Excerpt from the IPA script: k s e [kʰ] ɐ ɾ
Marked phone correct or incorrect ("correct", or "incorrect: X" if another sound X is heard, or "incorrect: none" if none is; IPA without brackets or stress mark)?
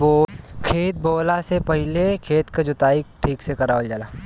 incorrect: k